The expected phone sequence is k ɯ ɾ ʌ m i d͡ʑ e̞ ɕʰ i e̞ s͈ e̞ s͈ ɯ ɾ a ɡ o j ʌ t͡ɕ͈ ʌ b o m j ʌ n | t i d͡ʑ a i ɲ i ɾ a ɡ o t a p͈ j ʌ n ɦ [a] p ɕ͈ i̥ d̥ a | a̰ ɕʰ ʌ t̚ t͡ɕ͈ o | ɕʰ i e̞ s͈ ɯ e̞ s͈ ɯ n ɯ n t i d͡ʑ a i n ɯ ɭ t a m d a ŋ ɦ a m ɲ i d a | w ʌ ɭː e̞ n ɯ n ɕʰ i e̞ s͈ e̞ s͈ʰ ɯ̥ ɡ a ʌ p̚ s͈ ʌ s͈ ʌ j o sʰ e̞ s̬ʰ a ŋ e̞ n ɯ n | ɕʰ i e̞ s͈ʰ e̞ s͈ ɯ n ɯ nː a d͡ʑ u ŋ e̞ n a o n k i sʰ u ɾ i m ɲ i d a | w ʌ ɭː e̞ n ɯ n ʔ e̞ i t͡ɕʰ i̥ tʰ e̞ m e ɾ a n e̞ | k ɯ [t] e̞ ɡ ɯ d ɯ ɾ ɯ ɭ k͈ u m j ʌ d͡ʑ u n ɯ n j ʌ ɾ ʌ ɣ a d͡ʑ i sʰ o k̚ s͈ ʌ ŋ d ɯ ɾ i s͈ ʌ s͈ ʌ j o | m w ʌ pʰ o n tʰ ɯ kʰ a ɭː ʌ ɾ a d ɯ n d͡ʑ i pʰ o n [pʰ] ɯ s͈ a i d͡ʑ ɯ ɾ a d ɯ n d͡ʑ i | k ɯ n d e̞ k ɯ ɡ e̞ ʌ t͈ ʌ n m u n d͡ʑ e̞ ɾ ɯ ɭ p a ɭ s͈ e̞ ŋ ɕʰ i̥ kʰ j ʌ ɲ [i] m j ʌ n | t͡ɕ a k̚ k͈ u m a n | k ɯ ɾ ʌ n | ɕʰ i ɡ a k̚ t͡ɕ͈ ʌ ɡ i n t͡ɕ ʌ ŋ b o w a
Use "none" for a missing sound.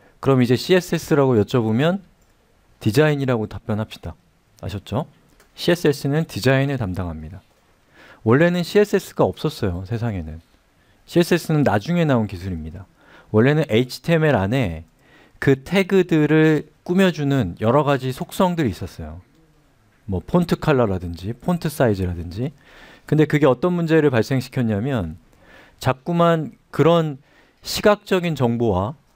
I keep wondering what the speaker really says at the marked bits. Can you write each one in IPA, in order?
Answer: a, tʰ, tʰ, a

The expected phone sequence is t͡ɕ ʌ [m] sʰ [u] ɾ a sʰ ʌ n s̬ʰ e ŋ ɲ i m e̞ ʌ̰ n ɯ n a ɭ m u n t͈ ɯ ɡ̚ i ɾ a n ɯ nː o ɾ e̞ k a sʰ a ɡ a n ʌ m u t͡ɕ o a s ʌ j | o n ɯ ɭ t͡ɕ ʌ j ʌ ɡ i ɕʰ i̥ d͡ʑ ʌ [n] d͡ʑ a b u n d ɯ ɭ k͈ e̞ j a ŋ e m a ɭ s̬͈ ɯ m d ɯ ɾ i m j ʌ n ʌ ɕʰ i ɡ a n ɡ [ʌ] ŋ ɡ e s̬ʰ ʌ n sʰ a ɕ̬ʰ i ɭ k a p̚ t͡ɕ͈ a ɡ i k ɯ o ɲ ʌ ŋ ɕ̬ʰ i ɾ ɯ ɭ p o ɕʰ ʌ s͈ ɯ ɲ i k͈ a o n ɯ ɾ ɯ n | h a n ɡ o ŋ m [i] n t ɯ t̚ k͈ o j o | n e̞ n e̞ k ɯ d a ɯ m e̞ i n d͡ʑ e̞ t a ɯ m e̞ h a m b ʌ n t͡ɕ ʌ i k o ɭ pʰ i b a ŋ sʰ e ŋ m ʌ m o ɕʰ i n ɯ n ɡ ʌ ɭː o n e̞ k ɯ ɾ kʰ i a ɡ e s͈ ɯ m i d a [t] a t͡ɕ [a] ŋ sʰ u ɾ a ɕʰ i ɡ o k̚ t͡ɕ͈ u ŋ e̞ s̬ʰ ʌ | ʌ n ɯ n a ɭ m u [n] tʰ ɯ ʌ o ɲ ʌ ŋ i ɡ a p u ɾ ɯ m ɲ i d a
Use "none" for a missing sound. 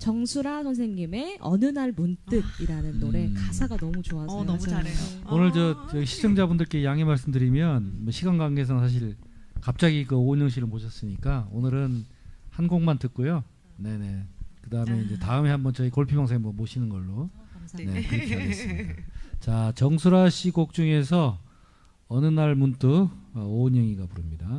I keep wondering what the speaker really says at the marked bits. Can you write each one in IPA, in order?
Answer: ŋ, u, ŋ, a, a, t͡ɕ, ʌ, n

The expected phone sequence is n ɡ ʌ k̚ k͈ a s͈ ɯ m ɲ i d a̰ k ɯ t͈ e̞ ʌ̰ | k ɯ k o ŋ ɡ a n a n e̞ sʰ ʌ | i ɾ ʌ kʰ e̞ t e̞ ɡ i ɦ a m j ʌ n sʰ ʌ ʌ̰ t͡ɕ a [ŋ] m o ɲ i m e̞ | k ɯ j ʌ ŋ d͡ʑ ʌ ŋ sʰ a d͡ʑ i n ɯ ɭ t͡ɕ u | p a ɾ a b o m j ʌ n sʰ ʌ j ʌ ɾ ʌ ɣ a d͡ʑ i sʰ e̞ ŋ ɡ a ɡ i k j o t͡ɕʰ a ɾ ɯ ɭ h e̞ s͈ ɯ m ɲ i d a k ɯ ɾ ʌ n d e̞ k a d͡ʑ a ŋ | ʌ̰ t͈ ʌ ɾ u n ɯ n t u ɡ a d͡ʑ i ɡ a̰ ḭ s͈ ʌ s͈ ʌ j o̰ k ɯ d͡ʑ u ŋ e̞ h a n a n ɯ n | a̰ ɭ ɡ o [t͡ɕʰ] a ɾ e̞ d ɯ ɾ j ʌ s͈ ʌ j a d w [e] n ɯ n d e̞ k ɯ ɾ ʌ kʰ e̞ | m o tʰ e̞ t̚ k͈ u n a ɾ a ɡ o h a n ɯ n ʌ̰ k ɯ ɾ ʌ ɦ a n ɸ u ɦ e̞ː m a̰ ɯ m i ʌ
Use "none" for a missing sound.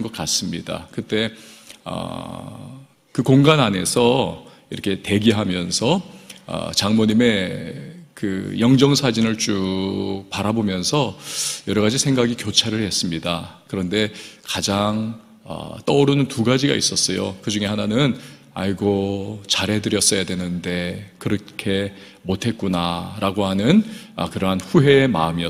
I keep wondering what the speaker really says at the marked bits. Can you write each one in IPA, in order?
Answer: ŋ, t͡ɕ, e

